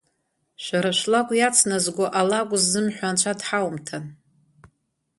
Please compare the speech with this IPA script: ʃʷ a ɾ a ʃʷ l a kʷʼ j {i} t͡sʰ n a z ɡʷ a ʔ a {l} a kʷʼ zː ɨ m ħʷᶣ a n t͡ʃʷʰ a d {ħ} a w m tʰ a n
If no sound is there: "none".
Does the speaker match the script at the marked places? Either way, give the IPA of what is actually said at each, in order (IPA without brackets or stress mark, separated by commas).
a, l, ħ